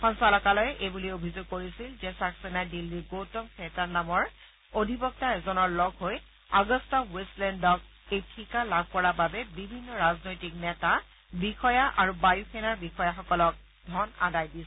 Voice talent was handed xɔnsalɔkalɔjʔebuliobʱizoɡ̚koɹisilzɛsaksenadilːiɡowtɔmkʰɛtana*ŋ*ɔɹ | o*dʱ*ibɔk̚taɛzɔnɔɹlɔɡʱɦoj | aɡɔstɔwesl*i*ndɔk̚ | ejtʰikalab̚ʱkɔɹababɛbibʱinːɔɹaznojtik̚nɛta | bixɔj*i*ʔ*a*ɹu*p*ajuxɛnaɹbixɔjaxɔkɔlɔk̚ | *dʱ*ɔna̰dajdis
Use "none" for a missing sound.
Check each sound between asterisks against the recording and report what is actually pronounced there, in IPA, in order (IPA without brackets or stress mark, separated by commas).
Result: m, dʱ, ɛ, a, a, b, dʱ